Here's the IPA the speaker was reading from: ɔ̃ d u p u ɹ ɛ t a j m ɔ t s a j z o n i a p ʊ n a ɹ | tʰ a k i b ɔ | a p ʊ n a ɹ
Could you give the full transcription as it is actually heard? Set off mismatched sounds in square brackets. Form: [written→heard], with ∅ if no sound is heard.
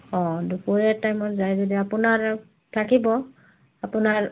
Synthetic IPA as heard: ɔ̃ d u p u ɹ ɛ t a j m ɔ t [s→z] a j z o [n→d] i a p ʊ n a ɹ | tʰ a k i b ɔ | a p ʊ n a ɹ